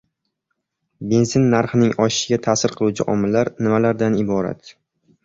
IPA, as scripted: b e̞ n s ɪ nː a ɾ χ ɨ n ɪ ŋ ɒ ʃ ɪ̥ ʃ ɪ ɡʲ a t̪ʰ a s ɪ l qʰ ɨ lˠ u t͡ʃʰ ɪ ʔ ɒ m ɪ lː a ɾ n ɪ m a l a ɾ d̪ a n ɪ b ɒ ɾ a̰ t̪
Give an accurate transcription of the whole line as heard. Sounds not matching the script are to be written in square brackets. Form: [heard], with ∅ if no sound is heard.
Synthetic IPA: b e̞ n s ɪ nː a ɾ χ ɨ n ɪ ŋ ɒ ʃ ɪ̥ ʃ ɪ ɡʲ a t̪ʰ a s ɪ [ɾ] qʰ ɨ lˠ u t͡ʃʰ ɪ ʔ ɒ m ɪ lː a ɾ n ɪ m a l a ɾ d̪ a n ɪ b ɒ ɾ a̰ t̪